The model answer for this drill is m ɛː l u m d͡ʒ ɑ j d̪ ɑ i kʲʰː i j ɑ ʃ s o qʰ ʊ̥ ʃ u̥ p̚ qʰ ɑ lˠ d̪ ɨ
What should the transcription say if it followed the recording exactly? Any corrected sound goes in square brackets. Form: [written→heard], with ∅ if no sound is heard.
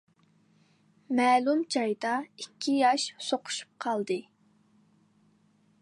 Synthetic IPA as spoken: m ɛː l u m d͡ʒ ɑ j d̪ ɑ i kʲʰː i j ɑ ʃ s o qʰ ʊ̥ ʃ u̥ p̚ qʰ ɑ lˠ d̪ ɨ